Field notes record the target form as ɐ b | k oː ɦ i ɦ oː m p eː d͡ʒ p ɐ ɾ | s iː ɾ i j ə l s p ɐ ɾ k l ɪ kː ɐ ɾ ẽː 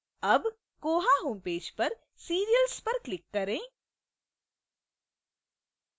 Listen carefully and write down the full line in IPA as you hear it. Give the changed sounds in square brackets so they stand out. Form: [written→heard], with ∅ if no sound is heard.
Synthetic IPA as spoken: ɐ b | k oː ɦ [i→a] ɦ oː m p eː d͡ʒ p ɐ ɾ | s iː ɾ i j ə l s p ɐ ɾ k l ɪ kː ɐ ɾ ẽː